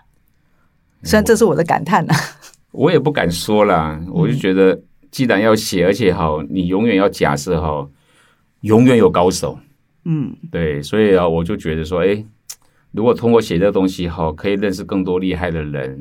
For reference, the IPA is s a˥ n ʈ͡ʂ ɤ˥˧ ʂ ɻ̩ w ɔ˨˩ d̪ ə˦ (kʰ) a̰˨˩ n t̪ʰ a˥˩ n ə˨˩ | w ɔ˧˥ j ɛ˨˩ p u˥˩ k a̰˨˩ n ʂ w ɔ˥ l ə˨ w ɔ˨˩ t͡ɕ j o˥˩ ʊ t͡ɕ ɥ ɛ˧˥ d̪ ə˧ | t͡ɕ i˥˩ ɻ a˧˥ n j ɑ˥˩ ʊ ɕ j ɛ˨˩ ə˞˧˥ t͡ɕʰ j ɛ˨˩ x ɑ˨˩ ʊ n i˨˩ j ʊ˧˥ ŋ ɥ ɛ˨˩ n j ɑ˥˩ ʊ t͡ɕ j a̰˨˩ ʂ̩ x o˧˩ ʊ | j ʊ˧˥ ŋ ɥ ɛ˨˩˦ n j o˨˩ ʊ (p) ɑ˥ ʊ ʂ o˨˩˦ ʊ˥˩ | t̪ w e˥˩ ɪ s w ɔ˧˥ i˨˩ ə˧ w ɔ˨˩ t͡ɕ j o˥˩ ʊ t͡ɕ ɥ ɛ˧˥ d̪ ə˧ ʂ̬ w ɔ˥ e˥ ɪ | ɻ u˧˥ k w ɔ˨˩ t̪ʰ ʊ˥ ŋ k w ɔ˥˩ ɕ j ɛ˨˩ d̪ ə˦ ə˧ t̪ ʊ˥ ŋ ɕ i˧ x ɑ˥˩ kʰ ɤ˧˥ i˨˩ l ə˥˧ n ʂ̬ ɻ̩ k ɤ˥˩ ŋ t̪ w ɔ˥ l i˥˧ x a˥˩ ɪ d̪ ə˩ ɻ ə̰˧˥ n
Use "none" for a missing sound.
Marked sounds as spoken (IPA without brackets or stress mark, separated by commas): k, k